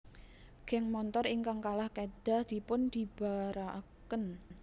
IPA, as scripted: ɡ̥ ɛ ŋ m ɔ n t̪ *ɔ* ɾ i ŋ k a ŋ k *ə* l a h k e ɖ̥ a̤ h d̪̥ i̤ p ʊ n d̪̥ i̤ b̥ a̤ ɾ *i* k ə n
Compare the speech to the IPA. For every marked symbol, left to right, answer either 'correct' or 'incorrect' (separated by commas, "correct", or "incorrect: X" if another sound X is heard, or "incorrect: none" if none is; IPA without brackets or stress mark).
correct, incorrect: a, incorrect: a